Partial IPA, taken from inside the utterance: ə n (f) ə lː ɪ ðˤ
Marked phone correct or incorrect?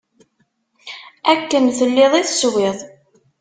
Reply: incorrect: θ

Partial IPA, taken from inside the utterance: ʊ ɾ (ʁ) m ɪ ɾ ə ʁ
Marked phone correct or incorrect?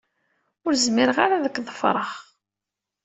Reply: incorrect: z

